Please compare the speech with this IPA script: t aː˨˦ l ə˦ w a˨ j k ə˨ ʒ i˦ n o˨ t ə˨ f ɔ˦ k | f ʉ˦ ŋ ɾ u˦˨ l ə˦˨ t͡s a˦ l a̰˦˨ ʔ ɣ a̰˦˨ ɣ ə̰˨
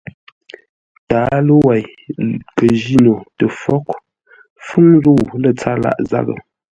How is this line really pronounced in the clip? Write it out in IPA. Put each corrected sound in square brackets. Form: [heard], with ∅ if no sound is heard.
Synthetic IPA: t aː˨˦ l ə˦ w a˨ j k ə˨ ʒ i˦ n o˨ t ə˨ f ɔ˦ k | f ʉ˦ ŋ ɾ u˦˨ l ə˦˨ t͡s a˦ l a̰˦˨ ʔ [z] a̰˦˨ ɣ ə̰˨

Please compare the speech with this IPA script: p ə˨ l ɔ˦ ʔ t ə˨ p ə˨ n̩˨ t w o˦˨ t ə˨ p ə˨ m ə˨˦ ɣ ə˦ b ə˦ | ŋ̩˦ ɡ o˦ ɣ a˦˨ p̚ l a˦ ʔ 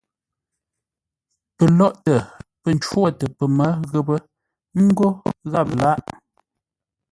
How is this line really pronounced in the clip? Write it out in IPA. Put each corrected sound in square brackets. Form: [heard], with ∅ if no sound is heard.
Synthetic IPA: p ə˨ l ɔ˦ ʔ t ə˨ p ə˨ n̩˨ [t͡ʃ] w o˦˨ t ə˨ p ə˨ m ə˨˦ ɣ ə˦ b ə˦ | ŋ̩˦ ɡ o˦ ɣ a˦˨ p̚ l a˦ ʔ

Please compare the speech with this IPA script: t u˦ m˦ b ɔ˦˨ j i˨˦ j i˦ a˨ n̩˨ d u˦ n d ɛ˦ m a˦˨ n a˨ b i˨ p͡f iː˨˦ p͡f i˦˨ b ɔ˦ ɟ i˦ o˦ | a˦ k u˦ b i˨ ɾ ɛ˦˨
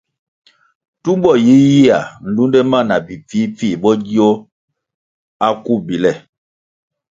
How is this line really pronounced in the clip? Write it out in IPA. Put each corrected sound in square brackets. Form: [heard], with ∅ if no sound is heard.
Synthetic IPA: t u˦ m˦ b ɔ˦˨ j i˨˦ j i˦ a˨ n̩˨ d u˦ n d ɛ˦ m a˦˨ n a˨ b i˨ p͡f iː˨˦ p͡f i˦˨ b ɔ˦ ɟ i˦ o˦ | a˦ k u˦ b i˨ [l] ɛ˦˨

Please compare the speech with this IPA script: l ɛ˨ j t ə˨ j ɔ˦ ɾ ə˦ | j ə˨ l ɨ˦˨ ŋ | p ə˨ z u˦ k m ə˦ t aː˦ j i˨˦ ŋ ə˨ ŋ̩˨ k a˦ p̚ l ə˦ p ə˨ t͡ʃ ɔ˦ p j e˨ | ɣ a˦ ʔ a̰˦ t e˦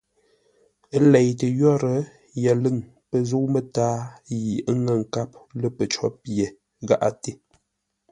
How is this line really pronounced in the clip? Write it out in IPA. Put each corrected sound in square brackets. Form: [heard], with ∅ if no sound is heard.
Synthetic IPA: l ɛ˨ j t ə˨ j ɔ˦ ɾ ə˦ | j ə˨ l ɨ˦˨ ŋ | p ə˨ z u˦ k m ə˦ t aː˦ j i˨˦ ŋ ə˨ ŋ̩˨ k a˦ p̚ l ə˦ p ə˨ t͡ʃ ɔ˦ p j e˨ | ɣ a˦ ʔ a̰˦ t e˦

